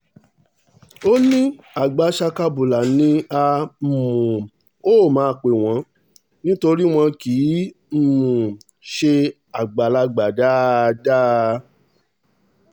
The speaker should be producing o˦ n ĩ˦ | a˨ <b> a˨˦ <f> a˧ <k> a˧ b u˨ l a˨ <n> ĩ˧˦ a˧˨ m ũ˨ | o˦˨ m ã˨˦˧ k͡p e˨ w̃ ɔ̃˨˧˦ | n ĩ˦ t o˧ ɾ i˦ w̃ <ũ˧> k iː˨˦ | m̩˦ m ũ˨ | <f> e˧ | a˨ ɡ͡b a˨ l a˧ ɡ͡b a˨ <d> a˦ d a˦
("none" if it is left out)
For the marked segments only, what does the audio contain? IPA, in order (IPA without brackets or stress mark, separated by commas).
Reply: ɡ͡b, ʃ, k, n, ɔ̃˧, ʃ, d